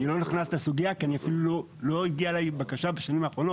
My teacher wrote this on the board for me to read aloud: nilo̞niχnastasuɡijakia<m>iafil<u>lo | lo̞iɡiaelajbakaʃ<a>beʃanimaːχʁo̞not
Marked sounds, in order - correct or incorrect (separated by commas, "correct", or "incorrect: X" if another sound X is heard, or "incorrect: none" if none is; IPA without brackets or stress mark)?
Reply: incorrect: n, correct, correct